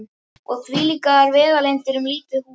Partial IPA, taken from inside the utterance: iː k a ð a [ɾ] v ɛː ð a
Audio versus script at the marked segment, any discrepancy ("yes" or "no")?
no